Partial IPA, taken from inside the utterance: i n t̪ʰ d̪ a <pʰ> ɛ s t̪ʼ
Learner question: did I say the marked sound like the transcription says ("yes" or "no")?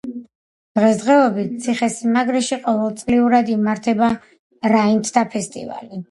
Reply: yes